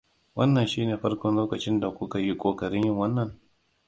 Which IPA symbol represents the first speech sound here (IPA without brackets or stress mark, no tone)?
w